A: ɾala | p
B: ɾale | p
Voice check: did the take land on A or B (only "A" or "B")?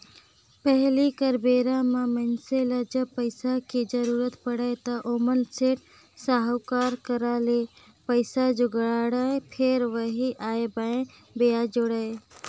B